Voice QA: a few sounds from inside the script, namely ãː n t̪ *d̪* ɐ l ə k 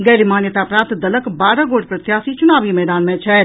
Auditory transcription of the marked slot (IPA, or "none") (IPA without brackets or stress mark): d̪